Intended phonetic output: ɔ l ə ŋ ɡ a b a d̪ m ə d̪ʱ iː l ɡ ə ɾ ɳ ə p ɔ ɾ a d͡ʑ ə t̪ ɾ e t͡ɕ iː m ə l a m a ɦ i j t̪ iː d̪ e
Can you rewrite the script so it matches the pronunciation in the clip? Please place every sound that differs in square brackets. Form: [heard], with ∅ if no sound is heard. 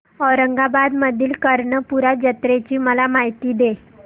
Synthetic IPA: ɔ [ɾ] ə ŋ ɡ a b a d̪ m ə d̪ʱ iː l [k] ə ɾ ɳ ə p [u] ɾ a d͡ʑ ə t̪ ɾ e t͡ɕ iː m ə l a m a ɦ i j t̪ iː d̪ e

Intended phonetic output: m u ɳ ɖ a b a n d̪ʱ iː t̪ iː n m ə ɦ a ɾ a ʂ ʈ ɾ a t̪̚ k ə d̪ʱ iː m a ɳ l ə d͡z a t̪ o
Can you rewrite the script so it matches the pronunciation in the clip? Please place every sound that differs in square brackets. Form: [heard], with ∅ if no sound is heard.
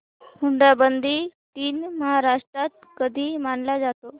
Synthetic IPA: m u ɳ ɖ a b [ə] n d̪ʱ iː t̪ iː n m ə ɦ a ɾ a ʂ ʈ ɾ a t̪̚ k ə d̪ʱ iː m a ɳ l [a] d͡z a t̪ o

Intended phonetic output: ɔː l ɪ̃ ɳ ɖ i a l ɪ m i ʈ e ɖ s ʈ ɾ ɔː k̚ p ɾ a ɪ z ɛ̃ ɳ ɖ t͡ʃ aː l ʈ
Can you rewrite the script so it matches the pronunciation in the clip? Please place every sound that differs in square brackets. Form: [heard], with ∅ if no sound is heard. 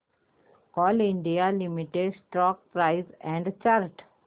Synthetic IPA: ɔː l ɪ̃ ɳ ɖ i a l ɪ m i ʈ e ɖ s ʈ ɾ ɔː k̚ p ɾ a ɪ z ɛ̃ ɳ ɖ t͡ʃ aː [ɾ] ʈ

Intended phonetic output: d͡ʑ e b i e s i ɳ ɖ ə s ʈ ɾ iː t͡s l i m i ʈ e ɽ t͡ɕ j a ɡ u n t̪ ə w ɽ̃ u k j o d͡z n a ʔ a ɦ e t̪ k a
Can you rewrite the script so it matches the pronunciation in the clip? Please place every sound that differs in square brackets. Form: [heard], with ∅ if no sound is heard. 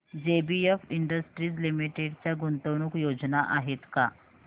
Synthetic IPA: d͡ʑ e b i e [f] i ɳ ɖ ə s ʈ ɾ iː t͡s l i m i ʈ e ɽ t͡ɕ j a ɡ u n t̪ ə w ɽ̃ u k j o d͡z n a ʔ a ɦ e t̪ k a

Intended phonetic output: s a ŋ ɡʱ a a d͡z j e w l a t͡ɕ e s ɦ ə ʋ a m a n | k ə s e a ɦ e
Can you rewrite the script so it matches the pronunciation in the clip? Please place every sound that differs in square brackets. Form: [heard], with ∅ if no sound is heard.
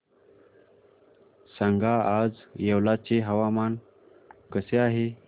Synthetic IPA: s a ŋ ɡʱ a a d͡z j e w l a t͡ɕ e [∅] ɦ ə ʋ a m a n | k ə s e a ɦ e

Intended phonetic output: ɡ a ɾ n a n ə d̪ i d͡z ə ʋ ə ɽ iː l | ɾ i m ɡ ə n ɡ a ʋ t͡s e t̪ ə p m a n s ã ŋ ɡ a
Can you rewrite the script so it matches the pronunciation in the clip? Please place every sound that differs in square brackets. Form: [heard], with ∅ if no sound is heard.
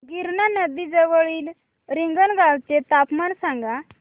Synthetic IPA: ɡ [i] ɾ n a n ə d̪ i d͡z ə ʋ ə [ɭ] iː l | ɾ i [ŋ] ɡ ə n ɡ a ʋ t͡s e t̪ [a] p m a n s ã ŋ ɡ a

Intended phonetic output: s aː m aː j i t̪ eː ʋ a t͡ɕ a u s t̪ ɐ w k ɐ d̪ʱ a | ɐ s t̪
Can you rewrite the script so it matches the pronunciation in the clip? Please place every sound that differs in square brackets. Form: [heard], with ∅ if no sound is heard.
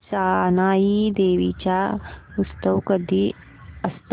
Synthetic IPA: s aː [n] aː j i [d̪] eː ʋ [i] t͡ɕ a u s t̪ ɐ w k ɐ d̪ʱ [i] | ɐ s t̪

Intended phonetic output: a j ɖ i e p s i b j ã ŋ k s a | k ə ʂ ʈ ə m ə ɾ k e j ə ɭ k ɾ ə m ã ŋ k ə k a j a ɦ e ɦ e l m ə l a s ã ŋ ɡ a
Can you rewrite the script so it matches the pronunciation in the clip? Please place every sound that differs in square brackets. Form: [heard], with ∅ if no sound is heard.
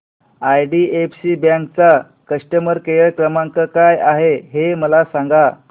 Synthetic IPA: a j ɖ i e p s i b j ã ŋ k [t͡s] a | k ə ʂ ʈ ə m ə ɾ k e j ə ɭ k ɾ ə m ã ŋ k ə k a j a ɦ e ɦ e [∅] m ə l a s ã ŋ ɡ a

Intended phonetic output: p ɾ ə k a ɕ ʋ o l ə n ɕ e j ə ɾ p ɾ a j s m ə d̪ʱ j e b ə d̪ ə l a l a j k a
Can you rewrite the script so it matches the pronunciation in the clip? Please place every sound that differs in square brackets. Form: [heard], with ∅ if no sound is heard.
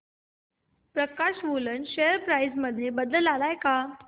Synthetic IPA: p ɾ ə k a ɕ ʋ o l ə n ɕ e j ə ɾ p ɾ a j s m ə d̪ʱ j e b ə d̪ ə l a l a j k a

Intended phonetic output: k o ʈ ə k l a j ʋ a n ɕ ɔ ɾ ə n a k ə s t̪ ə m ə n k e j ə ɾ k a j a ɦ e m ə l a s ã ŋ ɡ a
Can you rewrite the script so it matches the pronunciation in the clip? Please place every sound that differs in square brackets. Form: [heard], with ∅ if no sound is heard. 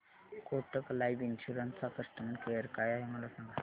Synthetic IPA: k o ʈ ə k l a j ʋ [i] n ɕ [u] ɾ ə n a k ə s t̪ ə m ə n k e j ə ɾ k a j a ɦ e m ə l a s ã ŋ ɡ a

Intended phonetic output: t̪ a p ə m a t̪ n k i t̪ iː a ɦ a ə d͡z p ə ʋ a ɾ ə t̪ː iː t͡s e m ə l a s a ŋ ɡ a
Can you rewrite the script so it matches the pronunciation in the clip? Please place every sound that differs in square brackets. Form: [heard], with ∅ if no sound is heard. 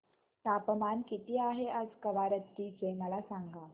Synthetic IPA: t̪ a p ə m a [∅] n k i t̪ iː a ɦ [e] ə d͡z [k] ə ʋ a ɾ ə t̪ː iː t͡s e m ə l a s a ŋ ɡ a

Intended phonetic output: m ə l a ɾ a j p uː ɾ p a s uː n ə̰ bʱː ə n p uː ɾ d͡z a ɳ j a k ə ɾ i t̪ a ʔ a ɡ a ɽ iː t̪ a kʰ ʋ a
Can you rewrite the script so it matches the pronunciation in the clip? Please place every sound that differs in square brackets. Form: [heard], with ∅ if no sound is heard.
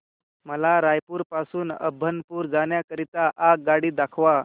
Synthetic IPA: m ə l a ɾ a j p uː ɾ p a s uː n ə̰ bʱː ə n p uː ɾ d͡z a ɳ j a k ə ɾ i t̪ a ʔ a ɡ a ɽ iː [d̪] a kʰ ʋ a

